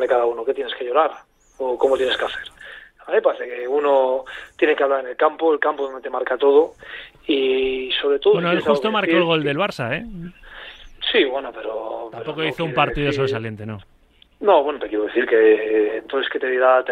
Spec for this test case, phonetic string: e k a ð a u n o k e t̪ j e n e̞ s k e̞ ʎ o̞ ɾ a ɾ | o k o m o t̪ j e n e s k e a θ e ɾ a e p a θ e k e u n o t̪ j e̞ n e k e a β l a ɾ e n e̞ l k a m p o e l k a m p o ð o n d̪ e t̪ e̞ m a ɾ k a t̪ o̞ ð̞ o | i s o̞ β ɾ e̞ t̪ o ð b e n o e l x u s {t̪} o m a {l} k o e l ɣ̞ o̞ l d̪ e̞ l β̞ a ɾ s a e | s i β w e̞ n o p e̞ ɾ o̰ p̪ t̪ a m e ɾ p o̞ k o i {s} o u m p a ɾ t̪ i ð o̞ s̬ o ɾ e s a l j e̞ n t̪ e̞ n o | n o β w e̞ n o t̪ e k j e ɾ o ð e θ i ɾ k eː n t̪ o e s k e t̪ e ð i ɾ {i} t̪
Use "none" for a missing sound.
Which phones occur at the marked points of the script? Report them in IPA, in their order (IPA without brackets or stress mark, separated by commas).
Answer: t̪, ɾ, θ, a